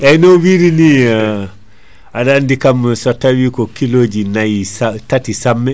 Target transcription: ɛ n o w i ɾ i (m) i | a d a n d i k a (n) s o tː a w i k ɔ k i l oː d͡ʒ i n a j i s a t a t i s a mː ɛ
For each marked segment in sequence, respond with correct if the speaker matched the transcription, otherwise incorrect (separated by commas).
incorrect, incorrect